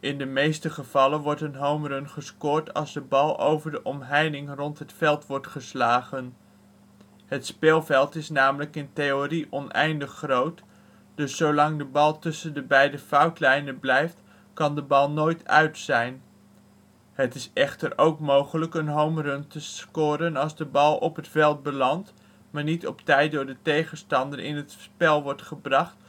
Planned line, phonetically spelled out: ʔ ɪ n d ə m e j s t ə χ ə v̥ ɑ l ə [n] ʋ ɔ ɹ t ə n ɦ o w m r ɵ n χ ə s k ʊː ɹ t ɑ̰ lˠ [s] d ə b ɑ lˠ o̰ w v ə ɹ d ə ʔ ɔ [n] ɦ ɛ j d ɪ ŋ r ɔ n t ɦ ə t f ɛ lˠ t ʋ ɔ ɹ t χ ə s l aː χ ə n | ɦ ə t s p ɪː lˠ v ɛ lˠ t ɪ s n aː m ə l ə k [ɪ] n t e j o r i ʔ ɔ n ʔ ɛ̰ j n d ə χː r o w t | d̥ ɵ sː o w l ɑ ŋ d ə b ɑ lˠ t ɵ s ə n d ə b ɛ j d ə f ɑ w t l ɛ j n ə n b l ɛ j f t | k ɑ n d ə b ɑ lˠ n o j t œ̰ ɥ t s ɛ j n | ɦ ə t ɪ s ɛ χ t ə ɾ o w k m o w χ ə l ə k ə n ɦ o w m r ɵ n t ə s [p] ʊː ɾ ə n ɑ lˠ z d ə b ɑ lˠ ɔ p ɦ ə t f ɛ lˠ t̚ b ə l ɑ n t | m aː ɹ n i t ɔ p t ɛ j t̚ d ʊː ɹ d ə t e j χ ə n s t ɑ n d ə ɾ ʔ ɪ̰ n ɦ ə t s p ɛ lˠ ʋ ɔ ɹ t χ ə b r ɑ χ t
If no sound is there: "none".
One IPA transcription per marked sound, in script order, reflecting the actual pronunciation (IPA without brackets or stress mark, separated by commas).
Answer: n, z, m, ɪ, k